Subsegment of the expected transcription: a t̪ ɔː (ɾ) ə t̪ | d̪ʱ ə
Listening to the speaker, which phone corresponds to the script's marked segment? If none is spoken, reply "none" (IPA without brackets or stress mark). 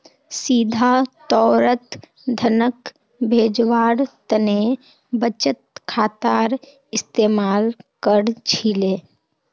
ɾ